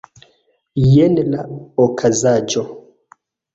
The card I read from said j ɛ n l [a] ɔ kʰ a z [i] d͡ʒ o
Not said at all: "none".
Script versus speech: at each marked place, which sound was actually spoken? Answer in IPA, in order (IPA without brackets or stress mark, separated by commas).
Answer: a, a